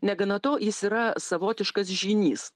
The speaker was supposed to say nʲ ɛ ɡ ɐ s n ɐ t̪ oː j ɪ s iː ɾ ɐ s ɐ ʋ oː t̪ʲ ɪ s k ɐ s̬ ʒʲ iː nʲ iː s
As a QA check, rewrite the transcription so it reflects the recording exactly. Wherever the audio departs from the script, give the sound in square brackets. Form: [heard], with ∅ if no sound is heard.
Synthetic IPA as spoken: nʲ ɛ ɡ ɐ [∅] n ɐ t̪ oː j ɪ s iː ɾ ɐ s ɐ ʋ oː t̪ʲ ɪ [ʃ] k ɐ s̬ ʒʲ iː nʲ iː s